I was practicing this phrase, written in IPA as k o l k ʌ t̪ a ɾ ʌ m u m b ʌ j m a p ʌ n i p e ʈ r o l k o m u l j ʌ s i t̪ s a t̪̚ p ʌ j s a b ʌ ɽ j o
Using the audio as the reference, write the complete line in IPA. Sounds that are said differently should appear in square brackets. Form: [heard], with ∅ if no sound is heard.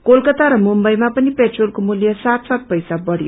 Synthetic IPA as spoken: k o l k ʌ t̪ a ɾ ʌ m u m b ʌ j m a p ʌ n i p e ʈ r o l k o m u l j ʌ s [a] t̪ s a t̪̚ p ʌ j s a b ʌ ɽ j o

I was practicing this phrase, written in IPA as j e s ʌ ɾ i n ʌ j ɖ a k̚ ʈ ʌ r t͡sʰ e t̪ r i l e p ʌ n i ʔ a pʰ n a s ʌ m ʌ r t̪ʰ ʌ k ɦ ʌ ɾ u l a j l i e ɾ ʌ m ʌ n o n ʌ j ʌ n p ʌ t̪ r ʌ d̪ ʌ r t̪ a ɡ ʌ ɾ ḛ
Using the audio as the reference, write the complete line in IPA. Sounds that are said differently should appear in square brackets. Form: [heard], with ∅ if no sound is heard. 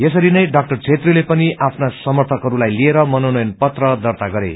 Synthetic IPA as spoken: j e s ʌ ɾ i n ʌ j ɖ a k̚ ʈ ʌ r t͡sʰ e t̪ r i l e p ʌ n i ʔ a pʰ n a s ʌ m ʌ r t̪ʰ ʌ k ɦ ʌ ɾ u l a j l i e ɾ ʌ m ʌ n o n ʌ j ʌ n p ʌ t̪ r ʌ d̪ ʌ r t̪ a ɡ ʌ ɾ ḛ

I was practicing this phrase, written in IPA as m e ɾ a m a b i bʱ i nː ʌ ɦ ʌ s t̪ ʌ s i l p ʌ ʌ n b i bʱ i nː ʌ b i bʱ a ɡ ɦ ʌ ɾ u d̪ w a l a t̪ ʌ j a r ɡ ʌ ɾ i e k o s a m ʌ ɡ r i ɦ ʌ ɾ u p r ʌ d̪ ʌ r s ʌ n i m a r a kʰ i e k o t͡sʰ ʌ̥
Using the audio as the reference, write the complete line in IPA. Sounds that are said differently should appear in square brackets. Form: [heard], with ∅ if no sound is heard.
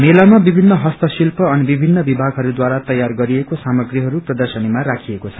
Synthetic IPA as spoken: m e [l] a m a b i bʱ i nː ʌ ɦ ʌ s t̪ ʌ s i l p ʌ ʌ n b i bʱ i nː ʌ b i bʱ a ɡ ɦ ʌ ɾ u d̪ w a [ɾ] a t̪ ʌ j a r ɡ ʌ ɾ i e k o s a m ʌ ɡ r i ɦ ʌ ɾ u p r ʌ d̪ ʌ r s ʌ n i m a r a kʰ i e k o t͡sʰ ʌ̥

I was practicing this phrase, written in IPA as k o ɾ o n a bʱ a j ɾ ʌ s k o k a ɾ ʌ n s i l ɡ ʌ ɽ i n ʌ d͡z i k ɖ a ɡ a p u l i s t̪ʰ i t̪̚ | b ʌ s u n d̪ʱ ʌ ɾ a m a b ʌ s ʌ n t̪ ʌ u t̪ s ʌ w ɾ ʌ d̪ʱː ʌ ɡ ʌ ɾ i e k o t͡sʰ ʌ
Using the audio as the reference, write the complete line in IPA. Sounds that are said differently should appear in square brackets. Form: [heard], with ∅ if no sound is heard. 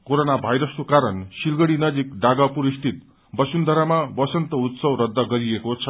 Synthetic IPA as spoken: k o ɾ o n a bʱ a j ɾ ʌ s k o k a ɾ ʌ n s i l ɡ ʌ ɽ i n ʌ d͡z i k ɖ a ɡ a p u [ɾ] i s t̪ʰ i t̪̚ | b ʌ s u n d̪ʱ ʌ ɾ a m a b ʌ s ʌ n t̪ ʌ u t̪ s ʌ w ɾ ʌ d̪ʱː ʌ ɡ ʌ ɾ i e k o t͡sʰ ʌ

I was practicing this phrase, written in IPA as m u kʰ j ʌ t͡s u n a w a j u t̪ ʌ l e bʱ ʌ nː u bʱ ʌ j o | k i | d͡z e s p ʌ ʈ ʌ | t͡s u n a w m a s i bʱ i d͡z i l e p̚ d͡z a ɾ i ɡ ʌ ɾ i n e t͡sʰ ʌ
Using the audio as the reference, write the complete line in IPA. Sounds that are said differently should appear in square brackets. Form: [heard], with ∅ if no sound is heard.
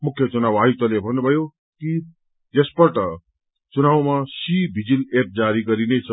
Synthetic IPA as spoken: m u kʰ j ʌ t͡s u n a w a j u t̪ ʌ l e bʱ ʌ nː u bʱ ʌ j o | k i | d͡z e s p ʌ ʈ ʌ | t͡s u n a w m a s i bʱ i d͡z i l e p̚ d͡z a ɾ i ɡ ʌ ɾ i n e t͡sʰ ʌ

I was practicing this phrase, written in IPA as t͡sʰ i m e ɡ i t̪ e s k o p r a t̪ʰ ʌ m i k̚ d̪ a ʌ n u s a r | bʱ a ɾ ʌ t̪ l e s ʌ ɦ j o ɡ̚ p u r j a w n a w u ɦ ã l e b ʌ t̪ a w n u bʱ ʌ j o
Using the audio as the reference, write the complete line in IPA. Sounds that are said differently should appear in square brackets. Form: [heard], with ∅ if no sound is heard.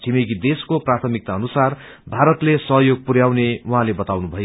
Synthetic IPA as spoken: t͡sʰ i m e ɡ i [d̪] e s k o p r a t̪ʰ ʌ m i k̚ [t̪] a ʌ n u s a r | bʱ a ɾ ʌ t̪ l e s ʌ ɦ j o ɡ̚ p u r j a w n [e] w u ɦ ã l e b ʌ t̪ a w n u bʱ ʌ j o

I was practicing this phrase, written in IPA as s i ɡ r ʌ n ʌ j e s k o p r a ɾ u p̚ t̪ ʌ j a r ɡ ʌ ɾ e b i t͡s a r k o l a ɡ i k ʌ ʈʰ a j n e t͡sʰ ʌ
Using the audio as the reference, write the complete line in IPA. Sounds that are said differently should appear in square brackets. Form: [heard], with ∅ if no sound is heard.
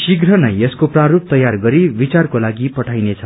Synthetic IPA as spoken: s i ɡ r ʌ n ʌ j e s k o p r a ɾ u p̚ t̪ ʌ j a r ɡ ʌ ɾ [i] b i t͡s a r k o l a ɡ i [p] ʌ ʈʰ a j n e t͡sʰ ʌ

